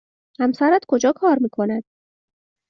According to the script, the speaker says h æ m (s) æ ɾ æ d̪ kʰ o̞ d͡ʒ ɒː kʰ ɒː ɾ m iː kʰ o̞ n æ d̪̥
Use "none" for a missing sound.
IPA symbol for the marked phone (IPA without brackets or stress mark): s